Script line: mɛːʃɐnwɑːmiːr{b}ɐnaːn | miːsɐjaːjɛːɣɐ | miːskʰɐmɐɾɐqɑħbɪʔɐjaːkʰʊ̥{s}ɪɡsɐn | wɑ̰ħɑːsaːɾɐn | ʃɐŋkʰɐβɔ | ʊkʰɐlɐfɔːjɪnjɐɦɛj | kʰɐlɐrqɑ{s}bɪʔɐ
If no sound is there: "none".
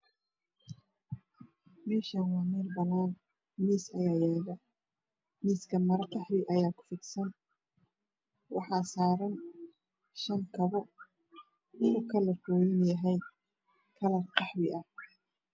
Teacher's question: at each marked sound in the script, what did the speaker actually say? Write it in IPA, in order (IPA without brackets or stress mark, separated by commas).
b, f, ħ